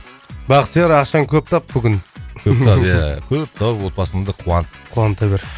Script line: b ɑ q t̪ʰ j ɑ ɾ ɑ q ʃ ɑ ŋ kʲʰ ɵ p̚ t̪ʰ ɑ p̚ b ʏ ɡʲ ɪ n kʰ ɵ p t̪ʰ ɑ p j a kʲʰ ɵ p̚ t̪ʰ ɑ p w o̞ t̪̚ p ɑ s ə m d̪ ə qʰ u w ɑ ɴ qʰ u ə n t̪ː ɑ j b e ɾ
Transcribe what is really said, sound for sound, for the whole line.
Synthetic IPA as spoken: b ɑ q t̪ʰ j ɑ ɾ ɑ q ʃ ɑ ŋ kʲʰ ɵ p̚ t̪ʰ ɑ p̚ b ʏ ɡʲ ɪ n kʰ ɵ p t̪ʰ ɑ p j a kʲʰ ɵ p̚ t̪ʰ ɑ p w o̞ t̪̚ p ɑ s ə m d̪ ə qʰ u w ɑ n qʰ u ɑ n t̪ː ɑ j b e ɾ